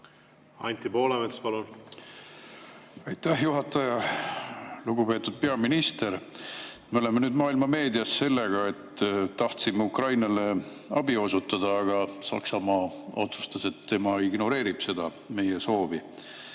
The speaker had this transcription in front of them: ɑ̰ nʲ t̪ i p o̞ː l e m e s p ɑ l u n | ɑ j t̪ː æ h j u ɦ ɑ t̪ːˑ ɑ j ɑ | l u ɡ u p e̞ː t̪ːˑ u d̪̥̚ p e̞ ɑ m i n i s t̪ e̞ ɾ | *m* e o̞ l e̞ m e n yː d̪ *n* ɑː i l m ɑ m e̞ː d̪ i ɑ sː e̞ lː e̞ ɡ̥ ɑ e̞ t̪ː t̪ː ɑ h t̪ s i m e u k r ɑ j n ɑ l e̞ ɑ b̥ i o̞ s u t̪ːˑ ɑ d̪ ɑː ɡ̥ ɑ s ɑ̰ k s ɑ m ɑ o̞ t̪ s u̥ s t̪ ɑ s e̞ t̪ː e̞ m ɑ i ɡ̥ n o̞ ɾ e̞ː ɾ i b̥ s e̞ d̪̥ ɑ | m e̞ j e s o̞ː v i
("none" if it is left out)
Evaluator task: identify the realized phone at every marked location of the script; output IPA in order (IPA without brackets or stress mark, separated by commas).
m, m